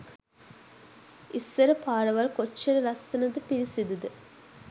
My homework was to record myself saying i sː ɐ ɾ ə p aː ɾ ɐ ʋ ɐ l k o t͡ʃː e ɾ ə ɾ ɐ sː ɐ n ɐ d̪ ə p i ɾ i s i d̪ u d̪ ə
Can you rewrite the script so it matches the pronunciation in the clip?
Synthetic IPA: i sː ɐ ɾ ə p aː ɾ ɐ ʋ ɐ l k o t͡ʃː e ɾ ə l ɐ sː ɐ n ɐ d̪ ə p i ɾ i s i d̪ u d̪ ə